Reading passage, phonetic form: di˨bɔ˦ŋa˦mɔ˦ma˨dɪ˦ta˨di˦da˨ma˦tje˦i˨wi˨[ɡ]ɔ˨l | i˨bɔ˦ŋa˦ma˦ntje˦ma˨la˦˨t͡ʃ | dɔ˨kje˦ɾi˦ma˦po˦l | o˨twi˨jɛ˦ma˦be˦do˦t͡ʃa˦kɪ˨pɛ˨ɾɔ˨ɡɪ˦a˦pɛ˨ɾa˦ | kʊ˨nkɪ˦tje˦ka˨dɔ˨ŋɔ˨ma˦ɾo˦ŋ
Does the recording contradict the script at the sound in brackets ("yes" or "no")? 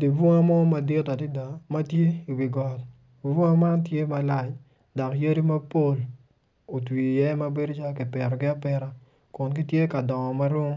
no